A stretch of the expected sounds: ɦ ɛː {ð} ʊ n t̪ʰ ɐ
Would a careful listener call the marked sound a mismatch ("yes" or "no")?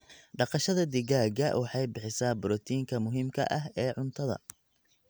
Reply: yes